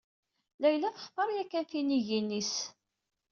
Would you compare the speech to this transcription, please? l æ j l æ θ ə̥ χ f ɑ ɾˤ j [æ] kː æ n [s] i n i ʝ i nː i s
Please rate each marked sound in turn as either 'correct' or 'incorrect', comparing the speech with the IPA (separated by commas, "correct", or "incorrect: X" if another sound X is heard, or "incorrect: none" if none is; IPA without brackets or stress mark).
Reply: correct, incorrect: θ